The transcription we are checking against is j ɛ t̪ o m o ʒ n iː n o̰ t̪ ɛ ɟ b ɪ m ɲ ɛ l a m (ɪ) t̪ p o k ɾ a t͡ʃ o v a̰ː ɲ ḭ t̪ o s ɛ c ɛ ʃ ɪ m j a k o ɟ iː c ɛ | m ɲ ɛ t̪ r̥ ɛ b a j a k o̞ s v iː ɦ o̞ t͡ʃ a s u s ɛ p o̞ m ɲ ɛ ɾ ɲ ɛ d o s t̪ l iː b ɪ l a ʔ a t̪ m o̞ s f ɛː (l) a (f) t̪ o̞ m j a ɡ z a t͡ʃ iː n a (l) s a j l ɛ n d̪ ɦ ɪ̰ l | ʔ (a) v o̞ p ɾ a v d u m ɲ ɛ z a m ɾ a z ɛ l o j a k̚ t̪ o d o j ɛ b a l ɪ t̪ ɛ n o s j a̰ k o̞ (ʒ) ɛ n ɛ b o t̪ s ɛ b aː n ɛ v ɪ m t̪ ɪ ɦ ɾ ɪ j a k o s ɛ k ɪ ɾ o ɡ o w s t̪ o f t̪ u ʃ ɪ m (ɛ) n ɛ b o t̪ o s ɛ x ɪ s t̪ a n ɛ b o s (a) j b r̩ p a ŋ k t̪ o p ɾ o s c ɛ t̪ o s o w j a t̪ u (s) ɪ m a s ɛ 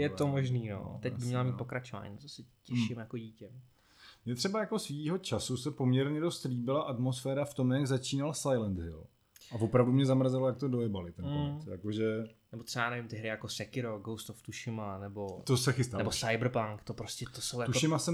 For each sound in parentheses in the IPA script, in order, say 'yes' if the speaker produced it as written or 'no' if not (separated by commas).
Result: no, no, yes, yes, yes, yes, no, yes, no